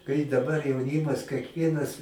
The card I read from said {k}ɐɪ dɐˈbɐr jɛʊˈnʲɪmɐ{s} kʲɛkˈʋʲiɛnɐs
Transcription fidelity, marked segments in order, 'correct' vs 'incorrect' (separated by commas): correct, correct